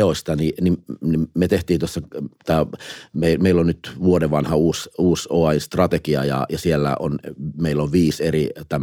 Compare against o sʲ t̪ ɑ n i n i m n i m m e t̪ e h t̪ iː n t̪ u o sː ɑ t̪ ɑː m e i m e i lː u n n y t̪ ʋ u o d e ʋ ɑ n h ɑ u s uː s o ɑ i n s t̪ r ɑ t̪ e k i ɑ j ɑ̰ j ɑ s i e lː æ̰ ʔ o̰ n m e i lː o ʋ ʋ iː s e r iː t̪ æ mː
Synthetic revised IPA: o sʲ t̪ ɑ n i n i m n i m m e t̪ e h t̪ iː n t̪ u o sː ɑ t̪ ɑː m e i m e i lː o n n y t̪ ʋ u o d e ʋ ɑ n h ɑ uː s uː s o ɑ i n s t̪ r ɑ t̪ e k i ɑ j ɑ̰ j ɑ s i e lː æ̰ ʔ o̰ n m e i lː o ʋ ʋ iː s e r i t̪ æ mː